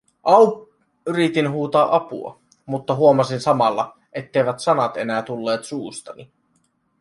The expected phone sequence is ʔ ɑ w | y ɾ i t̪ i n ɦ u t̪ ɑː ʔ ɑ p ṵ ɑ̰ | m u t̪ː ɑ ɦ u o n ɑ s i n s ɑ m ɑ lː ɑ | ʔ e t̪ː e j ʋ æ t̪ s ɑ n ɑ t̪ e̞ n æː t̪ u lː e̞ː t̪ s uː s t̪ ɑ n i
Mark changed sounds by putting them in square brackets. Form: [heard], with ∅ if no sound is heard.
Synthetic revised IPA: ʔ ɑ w | y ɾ i t̪ i n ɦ [uː] t̪ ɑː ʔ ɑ p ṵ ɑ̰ | m u t̪ː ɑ ɦ u o [m] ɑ s i n s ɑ m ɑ lː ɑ | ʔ e t̪ː e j ʋ æ t̪ s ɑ n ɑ t̪ e̞ n æː t̪ u lː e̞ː t̪ s uː s t̪ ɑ n i